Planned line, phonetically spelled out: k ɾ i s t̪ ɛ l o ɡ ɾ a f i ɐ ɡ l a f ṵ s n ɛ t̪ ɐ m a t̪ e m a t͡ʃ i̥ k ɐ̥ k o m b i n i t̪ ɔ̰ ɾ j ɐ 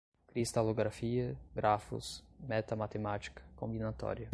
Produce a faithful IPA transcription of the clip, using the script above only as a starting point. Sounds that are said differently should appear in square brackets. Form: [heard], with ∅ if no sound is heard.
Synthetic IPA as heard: k ɾ i s t̪ [a] l o ɡ ɾ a f i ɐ ɡ [ɾ] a f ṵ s [m] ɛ t̪ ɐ m a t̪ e m a t͡ʃ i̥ k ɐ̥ k [õ] m b i n [a] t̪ ɔ̰ ɾ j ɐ